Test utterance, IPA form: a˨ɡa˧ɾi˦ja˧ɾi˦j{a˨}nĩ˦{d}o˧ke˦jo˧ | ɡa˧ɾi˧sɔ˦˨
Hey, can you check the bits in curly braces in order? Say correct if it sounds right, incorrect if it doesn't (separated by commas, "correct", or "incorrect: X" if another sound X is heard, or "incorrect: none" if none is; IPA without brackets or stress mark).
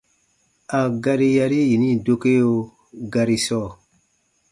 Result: incorrect: i˨, correct